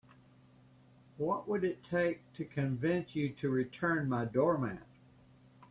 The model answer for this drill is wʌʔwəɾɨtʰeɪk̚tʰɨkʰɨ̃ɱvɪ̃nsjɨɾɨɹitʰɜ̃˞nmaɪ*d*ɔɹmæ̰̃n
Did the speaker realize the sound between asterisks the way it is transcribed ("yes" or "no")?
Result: yes